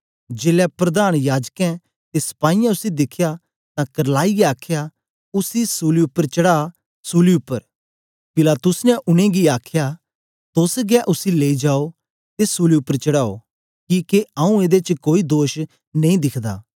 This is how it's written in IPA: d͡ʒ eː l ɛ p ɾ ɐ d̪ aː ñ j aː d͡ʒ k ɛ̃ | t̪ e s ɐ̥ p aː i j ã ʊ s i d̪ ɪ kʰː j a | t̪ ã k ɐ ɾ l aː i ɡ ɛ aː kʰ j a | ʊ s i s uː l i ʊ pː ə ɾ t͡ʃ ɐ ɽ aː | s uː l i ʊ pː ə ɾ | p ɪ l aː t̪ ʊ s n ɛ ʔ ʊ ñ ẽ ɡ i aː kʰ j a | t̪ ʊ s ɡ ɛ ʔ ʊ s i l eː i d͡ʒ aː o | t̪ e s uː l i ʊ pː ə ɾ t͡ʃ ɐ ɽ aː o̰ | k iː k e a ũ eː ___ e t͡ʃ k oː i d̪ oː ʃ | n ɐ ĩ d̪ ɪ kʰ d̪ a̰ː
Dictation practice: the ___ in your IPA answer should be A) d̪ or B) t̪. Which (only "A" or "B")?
A